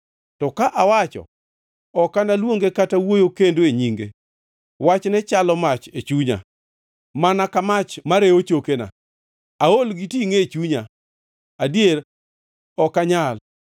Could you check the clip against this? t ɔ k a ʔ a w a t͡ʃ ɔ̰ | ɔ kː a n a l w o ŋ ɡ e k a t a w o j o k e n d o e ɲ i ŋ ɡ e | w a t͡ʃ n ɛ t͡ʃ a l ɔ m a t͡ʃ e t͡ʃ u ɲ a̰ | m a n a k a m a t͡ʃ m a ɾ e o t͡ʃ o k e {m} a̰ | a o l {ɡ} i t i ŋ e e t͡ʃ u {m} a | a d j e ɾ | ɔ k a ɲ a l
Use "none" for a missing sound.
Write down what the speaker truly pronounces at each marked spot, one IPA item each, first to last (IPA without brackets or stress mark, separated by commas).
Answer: n, ɡ, ɲ